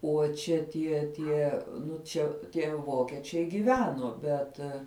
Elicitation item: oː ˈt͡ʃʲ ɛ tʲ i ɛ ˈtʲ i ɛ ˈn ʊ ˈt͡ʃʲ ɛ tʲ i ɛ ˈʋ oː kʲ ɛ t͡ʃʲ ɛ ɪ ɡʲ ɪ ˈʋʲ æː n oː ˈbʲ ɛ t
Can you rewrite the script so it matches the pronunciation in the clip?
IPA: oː ˈt͡ʃʲ ɛ tʲ i ɛ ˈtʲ i ɛ ˈn ʊ ˈt͡ʃʲ ɛ tʲ i ɛ ˈʋ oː kʲ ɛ t͡ʃʲ ɛ ɪ ɡʲ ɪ ˈʋʲ æː n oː ˈbʲ ɛ t